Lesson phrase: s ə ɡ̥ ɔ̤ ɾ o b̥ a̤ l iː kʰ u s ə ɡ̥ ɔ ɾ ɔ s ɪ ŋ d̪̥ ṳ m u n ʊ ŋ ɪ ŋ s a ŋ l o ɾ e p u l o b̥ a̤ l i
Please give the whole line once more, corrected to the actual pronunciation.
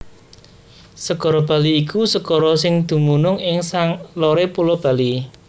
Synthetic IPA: s ə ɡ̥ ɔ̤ ɾ ɔ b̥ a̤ l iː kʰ u s ə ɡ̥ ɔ ɾ ɔ s ɪ ŋ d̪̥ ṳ m u n ʊ ŋ ɪ ŋ s a ŋ l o ɾ e p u l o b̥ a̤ l i